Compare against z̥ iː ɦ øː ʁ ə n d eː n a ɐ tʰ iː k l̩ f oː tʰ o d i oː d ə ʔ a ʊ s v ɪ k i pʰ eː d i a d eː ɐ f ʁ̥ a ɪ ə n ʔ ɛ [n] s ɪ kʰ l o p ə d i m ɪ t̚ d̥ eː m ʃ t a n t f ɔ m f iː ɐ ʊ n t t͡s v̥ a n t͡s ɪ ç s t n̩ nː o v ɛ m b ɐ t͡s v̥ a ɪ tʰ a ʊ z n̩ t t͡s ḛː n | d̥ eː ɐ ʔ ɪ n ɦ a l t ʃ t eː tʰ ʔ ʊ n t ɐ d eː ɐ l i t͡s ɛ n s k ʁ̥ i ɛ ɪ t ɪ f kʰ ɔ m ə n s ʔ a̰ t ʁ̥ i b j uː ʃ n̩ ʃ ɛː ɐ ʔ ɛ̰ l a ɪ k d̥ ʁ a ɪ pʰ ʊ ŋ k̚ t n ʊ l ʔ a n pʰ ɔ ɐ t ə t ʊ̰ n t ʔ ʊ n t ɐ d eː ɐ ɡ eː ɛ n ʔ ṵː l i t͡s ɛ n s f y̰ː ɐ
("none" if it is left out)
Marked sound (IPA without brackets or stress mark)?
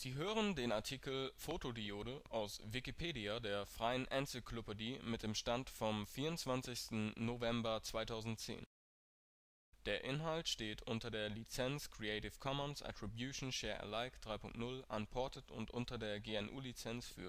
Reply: n